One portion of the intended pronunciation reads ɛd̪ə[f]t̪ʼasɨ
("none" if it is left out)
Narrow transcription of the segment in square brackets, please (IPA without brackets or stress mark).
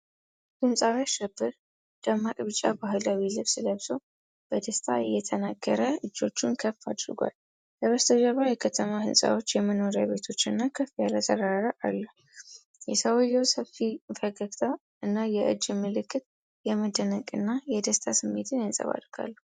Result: s